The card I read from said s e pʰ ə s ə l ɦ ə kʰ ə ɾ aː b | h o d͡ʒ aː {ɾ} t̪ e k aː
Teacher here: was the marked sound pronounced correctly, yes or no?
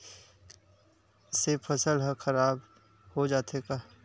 no